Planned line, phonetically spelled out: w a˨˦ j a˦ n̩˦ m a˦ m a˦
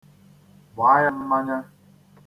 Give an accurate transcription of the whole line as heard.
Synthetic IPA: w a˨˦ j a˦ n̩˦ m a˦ ɲ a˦